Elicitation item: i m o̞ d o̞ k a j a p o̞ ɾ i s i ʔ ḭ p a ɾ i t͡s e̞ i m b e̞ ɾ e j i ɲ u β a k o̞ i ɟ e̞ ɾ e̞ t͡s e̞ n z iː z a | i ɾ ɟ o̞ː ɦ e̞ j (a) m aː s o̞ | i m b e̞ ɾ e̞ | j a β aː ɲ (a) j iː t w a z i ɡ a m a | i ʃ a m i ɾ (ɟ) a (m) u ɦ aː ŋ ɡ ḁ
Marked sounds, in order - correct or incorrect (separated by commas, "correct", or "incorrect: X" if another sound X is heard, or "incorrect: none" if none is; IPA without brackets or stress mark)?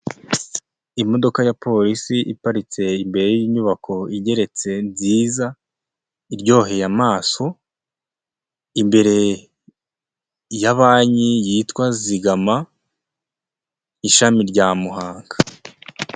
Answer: correct, incorrect: i, correct, correct